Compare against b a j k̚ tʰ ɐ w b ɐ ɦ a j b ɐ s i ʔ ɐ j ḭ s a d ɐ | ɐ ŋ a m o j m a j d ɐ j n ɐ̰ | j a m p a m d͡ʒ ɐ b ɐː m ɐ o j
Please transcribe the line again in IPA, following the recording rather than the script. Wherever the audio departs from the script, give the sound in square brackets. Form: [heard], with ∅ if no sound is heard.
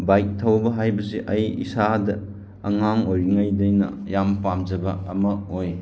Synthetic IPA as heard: b a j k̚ tʰ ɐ w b ɐ ɦ a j b ɐ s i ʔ ɐ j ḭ s a d ɐ | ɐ ŋ a [ŋ] o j [ŋ] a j d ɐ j n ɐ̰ | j a m p a m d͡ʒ ɐ b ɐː m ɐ o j